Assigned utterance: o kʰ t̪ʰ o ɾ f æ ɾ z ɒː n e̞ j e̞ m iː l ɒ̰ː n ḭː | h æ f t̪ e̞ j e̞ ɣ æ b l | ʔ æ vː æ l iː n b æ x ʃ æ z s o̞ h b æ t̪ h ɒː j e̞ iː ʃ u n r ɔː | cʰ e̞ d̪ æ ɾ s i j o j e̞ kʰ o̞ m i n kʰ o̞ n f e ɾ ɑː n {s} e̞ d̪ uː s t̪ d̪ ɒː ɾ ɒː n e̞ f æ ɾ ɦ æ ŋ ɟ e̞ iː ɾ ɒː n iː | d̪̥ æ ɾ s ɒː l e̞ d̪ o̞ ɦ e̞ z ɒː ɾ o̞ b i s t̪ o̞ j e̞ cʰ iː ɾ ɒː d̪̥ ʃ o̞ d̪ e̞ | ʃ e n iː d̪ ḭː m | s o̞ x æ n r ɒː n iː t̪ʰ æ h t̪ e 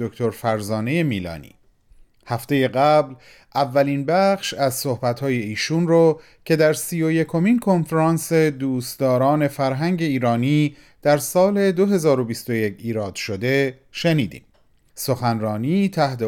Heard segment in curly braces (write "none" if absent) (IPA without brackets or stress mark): s